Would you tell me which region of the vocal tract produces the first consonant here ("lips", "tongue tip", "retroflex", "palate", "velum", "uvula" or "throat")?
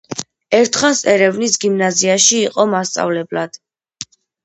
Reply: tongue tip